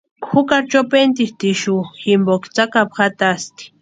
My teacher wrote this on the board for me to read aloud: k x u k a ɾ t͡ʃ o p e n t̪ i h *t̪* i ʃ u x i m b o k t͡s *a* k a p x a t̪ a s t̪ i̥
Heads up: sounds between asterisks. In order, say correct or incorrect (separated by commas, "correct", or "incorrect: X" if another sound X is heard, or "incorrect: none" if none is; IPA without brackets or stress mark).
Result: correct, correct